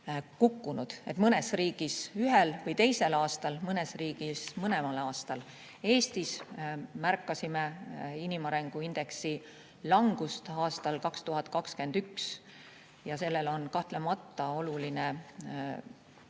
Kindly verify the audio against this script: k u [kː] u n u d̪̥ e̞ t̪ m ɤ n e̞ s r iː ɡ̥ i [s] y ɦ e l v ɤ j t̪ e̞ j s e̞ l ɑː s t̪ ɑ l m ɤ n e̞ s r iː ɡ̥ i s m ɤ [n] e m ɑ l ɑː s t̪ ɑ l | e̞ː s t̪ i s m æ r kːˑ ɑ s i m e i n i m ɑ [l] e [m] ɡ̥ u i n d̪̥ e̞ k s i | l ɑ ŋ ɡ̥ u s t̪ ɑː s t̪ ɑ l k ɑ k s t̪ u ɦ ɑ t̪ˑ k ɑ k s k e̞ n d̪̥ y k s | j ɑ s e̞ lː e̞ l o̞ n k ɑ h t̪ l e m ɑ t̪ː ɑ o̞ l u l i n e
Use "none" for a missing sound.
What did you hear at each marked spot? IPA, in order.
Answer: kː, s, n, ɾ, ŋ

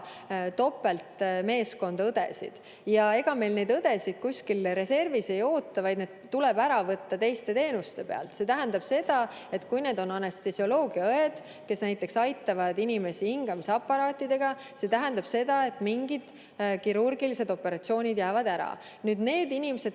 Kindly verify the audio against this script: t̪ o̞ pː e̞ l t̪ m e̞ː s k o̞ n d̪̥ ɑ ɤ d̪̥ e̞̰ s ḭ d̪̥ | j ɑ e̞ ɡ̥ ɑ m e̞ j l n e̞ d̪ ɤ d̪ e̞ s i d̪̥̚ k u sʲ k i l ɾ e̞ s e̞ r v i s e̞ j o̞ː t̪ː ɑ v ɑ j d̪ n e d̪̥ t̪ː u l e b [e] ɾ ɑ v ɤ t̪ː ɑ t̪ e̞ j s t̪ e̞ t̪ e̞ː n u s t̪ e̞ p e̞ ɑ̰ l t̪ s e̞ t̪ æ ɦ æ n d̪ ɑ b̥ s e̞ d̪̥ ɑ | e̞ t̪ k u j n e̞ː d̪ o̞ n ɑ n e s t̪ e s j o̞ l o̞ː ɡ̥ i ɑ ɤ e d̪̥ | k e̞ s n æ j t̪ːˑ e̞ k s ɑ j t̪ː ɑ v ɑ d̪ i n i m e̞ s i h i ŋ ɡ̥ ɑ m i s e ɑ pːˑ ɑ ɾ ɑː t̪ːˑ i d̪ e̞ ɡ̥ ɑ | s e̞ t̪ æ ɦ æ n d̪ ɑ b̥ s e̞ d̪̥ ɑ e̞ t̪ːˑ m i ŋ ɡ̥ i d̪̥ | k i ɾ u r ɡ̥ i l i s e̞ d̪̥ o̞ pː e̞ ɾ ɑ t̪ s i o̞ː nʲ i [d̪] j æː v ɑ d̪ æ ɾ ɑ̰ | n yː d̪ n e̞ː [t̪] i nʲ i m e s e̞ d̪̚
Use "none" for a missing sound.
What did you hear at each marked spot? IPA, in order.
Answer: æ, d̪, d̪

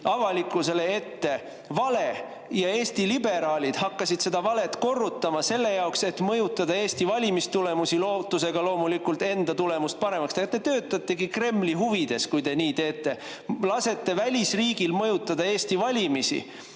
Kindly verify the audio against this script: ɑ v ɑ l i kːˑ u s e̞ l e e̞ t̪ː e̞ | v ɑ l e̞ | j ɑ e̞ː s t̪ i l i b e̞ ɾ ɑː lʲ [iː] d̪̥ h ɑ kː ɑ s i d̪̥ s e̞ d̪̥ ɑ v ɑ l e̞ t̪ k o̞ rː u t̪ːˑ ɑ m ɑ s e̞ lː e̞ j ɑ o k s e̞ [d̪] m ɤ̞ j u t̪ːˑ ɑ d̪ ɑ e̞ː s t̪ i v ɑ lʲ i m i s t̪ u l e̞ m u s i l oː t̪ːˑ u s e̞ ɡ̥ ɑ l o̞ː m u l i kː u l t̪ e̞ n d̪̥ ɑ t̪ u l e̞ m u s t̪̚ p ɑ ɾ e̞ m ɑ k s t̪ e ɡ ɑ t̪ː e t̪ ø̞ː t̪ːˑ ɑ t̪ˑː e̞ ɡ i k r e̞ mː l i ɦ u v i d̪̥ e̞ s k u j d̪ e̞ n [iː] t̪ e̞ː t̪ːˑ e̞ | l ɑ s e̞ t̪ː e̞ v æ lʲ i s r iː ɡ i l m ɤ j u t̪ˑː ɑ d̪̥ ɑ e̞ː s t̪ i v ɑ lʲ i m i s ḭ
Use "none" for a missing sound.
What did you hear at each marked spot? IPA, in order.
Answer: i, t̪, iː

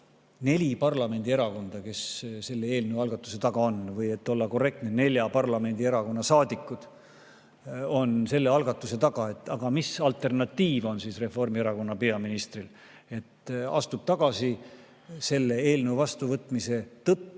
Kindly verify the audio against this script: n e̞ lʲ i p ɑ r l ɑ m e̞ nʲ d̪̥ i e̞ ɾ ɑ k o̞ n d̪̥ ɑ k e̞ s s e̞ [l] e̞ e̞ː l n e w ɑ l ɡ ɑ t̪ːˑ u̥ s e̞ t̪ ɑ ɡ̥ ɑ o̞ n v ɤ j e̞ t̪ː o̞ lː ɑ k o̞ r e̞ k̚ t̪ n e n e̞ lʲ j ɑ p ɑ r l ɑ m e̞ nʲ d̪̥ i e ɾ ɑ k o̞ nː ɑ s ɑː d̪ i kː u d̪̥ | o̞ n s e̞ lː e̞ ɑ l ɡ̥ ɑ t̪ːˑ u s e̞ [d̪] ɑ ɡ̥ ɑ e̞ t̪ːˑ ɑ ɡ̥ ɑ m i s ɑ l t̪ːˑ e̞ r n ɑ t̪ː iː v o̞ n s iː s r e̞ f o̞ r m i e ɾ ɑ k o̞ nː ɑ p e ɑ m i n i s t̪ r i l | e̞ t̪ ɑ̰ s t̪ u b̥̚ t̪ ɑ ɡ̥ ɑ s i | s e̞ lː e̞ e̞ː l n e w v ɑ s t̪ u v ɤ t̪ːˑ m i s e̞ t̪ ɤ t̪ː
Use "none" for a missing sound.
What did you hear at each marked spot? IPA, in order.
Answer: lː, t̪

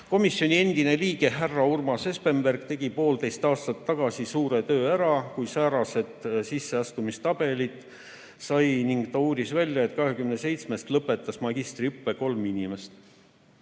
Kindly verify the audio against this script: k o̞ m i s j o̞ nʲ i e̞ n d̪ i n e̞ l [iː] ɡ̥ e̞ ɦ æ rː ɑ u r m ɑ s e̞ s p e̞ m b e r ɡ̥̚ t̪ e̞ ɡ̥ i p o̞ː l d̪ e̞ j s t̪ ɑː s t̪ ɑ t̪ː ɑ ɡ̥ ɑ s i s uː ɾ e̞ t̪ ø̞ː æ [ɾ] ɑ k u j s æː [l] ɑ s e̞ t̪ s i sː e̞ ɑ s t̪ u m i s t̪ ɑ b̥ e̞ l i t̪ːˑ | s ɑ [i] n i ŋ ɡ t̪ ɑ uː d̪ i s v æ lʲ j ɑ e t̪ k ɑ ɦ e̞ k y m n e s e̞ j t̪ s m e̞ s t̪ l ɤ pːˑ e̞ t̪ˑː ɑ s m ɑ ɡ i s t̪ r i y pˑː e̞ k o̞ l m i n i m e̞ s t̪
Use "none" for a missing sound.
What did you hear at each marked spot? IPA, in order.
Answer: iː, ɾ, ɾ, j

